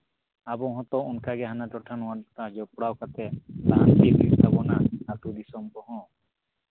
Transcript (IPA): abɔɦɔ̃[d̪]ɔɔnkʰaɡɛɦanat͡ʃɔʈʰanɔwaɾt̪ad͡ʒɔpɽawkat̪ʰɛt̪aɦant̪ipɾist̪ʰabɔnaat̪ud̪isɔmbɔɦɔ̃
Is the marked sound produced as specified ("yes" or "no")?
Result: no